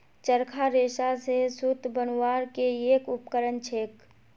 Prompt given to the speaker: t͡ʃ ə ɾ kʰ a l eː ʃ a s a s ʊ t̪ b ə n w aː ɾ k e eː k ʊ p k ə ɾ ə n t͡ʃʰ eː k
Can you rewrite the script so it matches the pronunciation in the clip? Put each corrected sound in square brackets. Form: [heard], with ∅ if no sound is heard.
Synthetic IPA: t͡ʃ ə ɾ kʰ a [ɾ] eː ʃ a s [e] s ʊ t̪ b ə n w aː ɾ k e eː k ʊ p k ə ɾ ə n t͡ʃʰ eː k